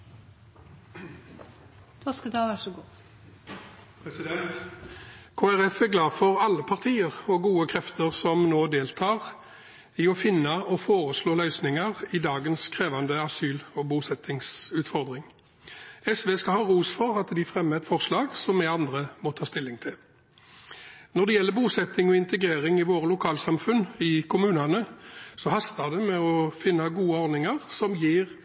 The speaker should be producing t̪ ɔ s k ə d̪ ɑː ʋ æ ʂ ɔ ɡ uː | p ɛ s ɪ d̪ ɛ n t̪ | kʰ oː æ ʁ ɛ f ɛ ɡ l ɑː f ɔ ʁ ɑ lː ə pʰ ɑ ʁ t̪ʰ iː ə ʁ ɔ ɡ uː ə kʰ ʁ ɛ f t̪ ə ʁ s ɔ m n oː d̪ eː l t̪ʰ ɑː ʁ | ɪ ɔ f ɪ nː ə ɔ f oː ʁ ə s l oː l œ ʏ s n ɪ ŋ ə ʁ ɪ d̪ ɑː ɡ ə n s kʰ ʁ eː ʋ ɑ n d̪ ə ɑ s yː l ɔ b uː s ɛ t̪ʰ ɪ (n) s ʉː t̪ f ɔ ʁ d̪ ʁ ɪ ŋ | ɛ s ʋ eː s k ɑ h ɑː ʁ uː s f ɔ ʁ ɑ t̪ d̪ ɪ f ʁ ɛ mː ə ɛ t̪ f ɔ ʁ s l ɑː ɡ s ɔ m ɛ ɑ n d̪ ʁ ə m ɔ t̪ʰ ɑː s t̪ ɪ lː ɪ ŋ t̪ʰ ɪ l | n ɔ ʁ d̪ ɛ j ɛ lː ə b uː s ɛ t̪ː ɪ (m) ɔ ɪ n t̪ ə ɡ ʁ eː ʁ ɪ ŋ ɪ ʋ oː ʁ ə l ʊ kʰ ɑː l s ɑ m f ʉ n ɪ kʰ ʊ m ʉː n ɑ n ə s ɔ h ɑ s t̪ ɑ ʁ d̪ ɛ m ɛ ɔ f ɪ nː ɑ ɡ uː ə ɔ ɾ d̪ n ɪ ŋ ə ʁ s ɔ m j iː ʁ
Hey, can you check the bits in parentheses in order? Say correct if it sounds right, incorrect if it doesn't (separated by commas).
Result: incorrect, incorrect